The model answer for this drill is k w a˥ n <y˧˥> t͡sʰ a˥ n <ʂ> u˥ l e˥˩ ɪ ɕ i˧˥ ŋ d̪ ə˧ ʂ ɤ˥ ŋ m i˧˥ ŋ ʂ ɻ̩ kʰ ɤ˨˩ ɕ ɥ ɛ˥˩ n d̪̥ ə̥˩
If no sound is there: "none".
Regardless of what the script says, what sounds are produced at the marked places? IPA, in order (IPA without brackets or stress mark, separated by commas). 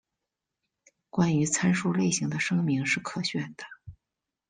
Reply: y˧˥, ʂ